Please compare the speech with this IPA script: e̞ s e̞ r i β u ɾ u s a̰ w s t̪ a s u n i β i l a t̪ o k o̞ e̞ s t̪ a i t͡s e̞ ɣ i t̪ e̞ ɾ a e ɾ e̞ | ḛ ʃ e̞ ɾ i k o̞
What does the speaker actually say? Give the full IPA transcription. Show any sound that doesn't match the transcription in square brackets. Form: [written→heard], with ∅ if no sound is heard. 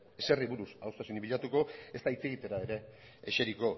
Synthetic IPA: e̞ s e̞ r i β u ɾ u s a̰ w s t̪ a s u n i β i [l→ʎ] a t̪ [o→u] k o̞ e̞ s t̪ a i t͡s e̞ ɣ i t̪ e̞ ɾ a e ɾ e̞ | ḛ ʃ e̞ ɾ i k o̞

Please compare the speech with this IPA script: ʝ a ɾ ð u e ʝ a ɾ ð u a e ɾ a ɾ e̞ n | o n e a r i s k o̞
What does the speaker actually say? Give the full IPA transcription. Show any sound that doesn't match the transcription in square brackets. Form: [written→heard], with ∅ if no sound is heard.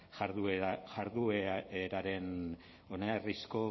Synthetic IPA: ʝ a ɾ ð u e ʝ a ɾ ð u [a→e] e ɾ a ɾ e̞ n | o n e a r i s k o̞

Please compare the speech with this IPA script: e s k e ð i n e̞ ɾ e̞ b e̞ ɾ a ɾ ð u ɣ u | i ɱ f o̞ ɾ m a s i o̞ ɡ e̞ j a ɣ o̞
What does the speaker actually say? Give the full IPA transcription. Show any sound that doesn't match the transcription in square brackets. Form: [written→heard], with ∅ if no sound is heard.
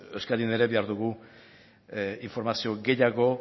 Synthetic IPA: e s k [e→a] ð i n e̞ ɾ e̞ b e̞ [ɾ→∅] a ɾ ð u ɣ u | i ɱ f o̞ ɾ m a s i o̞ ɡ e̞ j a ɣ o̞

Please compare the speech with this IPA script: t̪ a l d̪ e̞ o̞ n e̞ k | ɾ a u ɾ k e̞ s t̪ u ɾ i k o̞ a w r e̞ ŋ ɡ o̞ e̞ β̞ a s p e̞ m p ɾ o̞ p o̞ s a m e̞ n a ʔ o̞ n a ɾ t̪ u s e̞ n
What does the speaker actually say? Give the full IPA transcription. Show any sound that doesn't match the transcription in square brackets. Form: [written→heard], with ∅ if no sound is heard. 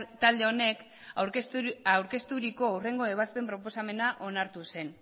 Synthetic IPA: t̪ a l d̪ e̞ o̞ n e̞ k | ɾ a [u→w] ɾ k e̞ s t̪ u ɾ i k o̞ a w r e̞ ŋ ɡ o̞ e̞ β̞ a s p e̞ m p ɾ o̞ p o̞ s a m e̞ n a ʔ o̞ n a ɾ t̪ u s e̞ n

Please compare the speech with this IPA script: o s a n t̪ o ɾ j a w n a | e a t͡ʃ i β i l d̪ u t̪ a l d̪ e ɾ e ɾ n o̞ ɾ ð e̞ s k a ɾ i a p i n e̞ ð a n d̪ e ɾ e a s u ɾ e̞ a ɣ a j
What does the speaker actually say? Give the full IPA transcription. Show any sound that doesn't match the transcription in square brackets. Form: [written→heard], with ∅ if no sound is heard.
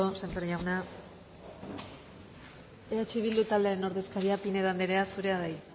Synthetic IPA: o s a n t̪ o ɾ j a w n a | e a t͡ʃ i β i l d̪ u t̪ a l d̪ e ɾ e [ɾ→∅] n o̞ ɾ ð e̞ s k a ɾ i a p i n e̞ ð a n d̪ e ɾ e a s u ɾ e̞ a [ɣ→ð] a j

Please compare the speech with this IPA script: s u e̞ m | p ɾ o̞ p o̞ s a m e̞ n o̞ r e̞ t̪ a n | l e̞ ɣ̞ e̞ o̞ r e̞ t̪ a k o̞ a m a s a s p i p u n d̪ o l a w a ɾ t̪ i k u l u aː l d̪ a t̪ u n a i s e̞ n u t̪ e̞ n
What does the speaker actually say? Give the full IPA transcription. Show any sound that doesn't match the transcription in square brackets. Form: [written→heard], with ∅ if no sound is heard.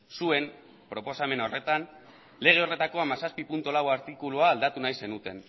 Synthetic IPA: s u e̞ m | p ɾ o̞ p o̞ s a m e̞ n o̞ r e̞ t̪ a n | l e̞ ɣ̞ e̞ o̞ r e̞ t̪ a k o̞ a m a s a s p i p u n [d̪→t̪] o l a w a ɾ t̪ i k u l u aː l d̪ a t̪ u n a [i→j] s e̞ n u t̪ e̞ n

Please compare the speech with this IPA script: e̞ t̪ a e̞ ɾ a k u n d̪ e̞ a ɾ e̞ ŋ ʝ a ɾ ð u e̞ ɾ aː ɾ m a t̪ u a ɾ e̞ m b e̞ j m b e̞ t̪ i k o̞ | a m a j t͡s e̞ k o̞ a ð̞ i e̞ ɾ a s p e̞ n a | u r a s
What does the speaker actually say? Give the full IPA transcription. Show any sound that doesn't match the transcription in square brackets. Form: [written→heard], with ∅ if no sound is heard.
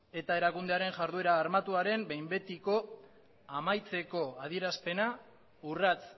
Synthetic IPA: e̞ t̪ a e̞ ɾ a k u n d̪ e̞ a ɾ e̞ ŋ ʝ a ɾ ð u e̞ ɾ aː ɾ m a t̪ u a ɾ e̞ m b e̞ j m b e̞ t̪ i k o̞ | a m a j t͡s e̞ k o̞ a ð̞ i e̞ ɾ a s p e̞ n a | u r a [s→t͡s]

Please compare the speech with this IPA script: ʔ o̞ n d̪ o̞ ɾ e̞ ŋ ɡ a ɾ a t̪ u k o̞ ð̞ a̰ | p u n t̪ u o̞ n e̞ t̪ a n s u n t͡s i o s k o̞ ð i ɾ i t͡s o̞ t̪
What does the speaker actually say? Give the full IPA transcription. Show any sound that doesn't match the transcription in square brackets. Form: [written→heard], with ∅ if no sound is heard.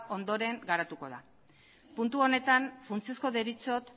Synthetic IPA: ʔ o̞ n d̪ o̞ ɾ e̞ ŋ ɡ a ɾ a t̪ u k o̞ ð̞ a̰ | p u n t̪ u o̞ n e̞ t̪ a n [s→f] u n t͡s i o s k o̞ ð [i→e] ɾ i t͡s o̞ t̪

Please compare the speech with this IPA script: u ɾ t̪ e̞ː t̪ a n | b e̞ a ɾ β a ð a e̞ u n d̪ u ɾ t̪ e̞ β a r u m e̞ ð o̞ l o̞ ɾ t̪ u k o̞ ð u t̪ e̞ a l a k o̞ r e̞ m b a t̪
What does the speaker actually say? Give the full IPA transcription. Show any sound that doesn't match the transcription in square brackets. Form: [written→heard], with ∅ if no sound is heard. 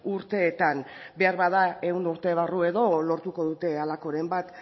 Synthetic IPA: u ɾ t̪ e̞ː t̪ a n | b e̞ a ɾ β a ð a e̞ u n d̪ u ɾ t̪ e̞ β a r u [m→∅] e̞ ð o̞ l o̞ ɾ t̪ u k o̞ ð u t̪ e̞ a l a k o̞ [r→ɾ] e̞ m b a t̪

